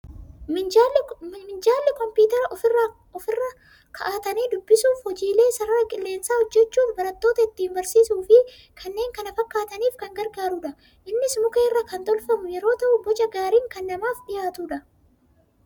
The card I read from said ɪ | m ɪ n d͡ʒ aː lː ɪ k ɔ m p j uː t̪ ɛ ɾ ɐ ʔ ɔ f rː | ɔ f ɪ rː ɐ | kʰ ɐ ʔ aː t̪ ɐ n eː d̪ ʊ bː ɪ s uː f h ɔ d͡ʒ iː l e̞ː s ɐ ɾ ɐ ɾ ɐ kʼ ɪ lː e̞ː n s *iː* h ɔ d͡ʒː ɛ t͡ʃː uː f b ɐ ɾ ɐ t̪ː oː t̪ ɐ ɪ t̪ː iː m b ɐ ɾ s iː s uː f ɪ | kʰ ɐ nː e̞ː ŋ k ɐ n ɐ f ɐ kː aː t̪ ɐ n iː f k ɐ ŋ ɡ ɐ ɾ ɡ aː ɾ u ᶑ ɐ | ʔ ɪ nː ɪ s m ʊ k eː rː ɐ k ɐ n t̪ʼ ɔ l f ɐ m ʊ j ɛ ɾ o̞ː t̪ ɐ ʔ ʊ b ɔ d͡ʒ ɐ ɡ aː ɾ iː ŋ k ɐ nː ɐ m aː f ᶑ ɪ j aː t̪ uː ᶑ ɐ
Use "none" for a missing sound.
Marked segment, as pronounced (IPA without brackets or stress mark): aː